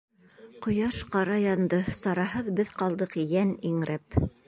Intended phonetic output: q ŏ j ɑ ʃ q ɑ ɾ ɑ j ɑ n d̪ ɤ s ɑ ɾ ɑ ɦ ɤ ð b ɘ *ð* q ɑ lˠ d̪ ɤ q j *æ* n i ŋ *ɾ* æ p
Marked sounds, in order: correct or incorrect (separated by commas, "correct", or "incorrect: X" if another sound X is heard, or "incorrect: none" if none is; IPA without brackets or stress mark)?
correct, correct, correct